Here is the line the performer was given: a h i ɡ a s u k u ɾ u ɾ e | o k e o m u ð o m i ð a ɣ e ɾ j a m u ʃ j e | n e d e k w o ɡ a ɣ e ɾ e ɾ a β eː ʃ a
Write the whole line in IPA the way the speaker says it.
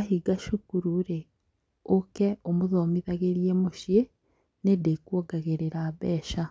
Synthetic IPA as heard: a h i ɡ a ʃ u k u ɾ u ɾ e | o k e o m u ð o m i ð a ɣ e ɾ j e m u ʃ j e | n e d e k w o ɡ a ɣ e ɾ e ɾ a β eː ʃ a